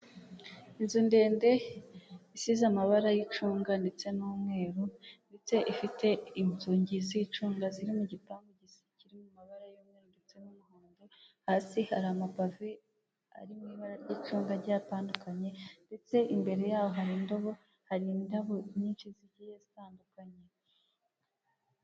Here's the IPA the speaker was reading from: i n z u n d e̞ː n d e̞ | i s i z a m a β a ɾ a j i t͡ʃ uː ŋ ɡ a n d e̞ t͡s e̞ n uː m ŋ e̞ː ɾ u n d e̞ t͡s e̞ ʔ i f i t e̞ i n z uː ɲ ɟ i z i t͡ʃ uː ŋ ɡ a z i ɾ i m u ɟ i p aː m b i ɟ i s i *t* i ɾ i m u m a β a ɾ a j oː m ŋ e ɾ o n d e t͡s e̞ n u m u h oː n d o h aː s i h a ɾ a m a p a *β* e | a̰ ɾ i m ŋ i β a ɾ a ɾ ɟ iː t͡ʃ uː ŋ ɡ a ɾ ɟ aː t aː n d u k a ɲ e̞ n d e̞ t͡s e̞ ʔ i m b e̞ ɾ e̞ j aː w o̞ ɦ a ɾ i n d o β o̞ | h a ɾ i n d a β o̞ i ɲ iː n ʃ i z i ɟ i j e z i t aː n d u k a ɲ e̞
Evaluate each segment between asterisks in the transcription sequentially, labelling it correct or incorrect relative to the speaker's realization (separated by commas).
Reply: incorrect, incorrect